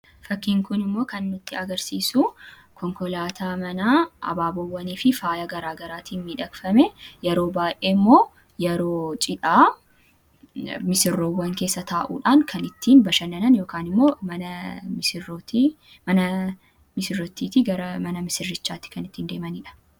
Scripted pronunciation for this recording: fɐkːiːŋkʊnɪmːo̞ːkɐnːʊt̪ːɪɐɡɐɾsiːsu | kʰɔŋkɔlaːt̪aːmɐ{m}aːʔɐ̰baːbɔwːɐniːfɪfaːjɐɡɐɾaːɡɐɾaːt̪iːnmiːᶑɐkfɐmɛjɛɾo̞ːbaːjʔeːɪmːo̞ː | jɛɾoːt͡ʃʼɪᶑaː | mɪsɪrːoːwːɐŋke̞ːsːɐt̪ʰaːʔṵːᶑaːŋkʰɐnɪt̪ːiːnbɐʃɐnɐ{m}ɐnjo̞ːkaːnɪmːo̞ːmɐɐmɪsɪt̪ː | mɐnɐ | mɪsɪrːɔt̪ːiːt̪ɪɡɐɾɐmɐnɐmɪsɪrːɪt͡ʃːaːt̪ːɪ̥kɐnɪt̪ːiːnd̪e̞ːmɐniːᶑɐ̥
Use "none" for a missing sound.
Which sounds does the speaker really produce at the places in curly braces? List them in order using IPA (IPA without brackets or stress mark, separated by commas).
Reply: n, n